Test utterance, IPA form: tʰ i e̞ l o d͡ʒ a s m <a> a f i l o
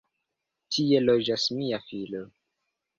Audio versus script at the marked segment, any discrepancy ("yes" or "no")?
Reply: yes